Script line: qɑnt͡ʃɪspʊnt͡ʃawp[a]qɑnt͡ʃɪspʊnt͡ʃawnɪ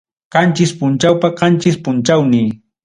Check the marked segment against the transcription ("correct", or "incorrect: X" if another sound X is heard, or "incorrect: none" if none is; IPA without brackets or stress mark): correct